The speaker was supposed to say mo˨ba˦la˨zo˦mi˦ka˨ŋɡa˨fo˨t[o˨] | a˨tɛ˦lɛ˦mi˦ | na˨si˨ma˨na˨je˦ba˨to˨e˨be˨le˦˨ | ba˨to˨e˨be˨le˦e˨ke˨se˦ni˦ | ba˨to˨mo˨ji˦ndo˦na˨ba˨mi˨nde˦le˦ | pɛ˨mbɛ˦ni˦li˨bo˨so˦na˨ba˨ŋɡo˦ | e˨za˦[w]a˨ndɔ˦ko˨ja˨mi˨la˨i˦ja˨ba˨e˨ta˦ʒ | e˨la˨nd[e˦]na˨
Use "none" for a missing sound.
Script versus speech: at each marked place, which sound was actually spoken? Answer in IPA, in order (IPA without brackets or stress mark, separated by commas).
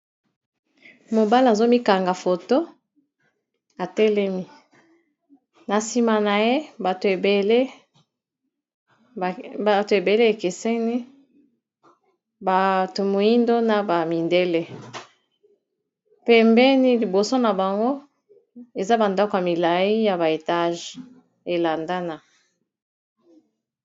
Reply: o˦, b, a˦